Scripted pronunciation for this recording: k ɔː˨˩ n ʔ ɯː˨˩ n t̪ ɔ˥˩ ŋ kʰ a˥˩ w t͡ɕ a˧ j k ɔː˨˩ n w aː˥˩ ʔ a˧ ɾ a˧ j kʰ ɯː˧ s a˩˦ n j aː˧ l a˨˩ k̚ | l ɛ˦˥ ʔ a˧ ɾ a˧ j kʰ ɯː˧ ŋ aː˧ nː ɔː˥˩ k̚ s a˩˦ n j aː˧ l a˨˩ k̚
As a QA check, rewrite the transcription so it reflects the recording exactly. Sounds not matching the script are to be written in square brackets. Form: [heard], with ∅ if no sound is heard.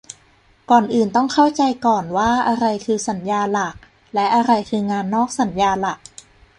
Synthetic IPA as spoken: k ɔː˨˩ n ʔ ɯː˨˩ n t̪ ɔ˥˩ ŋ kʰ a˥˩ w t͡ɕ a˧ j k ɔː˨˩ n w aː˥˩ ʔ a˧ ɾ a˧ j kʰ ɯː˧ s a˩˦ n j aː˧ l a˨˩ k̚ | l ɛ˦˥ ʔ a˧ ɾ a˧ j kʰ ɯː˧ ŋ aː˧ nː ɔː˥˩ k̚ s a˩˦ n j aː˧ l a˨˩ k̚